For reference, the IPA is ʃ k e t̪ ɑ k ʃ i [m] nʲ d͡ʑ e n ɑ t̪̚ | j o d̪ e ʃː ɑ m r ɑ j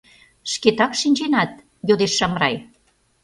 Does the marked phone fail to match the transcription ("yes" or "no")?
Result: yes